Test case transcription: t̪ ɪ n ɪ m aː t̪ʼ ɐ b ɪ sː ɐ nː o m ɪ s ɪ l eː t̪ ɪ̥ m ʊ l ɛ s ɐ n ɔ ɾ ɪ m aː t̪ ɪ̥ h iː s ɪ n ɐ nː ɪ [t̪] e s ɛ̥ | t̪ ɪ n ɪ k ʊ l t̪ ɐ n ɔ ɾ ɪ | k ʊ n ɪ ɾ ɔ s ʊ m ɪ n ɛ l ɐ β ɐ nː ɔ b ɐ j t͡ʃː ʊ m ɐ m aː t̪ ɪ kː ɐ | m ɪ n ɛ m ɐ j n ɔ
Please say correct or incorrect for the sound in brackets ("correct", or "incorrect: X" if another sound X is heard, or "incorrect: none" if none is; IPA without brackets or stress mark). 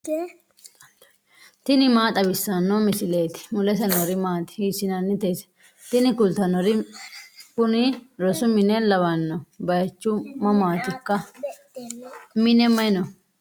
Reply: correct